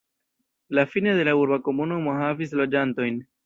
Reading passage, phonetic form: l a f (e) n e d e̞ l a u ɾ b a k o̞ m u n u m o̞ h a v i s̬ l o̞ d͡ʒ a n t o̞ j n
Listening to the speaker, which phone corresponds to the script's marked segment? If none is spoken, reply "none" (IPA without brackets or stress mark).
i